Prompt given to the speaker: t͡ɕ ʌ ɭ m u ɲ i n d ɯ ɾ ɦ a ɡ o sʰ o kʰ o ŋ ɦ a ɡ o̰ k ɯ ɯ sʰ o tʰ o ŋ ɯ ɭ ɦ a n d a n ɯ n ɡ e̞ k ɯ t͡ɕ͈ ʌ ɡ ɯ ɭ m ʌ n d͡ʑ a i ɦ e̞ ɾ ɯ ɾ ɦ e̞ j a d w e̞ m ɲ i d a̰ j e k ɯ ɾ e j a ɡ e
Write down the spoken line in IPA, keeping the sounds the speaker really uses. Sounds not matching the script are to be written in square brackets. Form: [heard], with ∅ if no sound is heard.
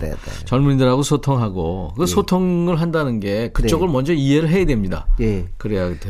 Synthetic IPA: t͡ɕ ʌ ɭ m u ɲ i n d ɯ ɾ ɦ a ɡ o sʰ o [tʰ] o ŋ ɦ a ɡ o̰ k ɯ ɯ sʰ o tʰ o ŋ ɯ ɭ ɦ a n d a n ɯ n ɡ e̞ k ɯ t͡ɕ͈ ʌ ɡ ɯ ɭ m ʌ n d͡ʑ [ʌ] i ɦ e̞ ɾ ɯ [ɭ] ɦ e̞ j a d w e̞ m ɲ i d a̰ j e k ɯ ɾ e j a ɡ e